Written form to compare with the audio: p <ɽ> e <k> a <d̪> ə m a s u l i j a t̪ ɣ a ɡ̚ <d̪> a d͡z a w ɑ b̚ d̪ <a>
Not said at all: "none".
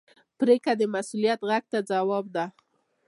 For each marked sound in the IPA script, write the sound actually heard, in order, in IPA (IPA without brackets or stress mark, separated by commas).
ɾ, k, d̪, t̪, a